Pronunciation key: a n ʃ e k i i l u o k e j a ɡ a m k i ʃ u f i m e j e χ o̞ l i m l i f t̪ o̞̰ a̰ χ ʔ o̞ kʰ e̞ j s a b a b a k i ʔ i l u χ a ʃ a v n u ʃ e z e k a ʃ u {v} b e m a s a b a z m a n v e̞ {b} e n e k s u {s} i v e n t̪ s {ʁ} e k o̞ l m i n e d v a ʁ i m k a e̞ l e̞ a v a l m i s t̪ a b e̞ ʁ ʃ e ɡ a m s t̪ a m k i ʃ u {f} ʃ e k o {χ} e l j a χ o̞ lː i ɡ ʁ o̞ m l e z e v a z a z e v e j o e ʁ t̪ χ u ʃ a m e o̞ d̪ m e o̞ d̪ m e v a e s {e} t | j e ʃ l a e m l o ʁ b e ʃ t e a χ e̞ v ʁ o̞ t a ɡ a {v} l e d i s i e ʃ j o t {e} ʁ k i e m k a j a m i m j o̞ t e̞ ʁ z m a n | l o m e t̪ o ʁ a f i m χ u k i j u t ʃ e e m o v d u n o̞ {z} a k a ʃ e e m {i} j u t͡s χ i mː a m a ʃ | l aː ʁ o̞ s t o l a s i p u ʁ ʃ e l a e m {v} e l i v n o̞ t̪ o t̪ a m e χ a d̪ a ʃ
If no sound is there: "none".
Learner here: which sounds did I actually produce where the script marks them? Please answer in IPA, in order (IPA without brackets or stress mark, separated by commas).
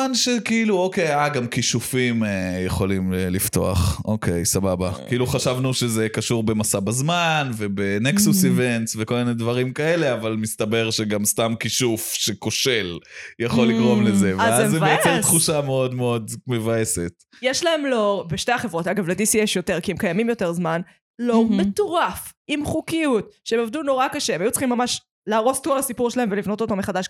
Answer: ʁ, b, s, v, f, ʃ, e, v, e, ʁ, a, v